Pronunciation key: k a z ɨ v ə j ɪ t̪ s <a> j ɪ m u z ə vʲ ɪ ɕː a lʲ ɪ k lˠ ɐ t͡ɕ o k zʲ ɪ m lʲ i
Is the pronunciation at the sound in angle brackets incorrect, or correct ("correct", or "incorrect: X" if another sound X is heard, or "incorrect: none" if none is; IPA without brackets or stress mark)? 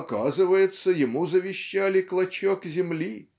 incorrect: ə